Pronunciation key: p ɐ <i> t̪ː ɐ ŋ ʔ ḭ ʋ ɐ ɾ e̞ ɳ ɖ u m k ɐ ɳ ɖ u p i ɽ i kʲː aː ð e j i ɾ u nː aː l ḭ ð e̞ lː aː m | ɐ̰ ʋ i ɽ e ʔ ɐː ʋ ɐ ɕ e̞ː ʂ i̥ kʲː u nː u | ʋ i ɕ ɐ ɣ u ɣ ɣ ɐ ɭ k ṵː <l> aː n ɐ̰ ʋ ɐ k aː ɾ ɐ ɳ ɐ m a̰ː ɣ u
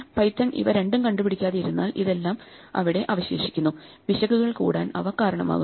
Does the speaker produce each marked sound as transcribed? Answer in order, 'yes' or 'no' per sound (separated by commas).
no, no